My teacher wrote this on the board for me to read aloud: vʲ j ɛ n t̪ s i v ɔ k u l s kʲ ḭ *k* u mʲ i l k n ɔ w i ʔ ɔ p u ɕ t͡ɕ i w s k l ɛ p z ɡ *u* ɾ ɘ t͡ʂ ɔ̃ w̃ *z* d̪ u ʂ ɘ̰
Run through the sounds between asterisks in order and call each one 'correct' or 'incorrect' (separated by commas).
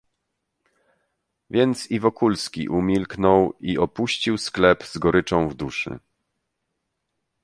incorrect, incorrect, incorrect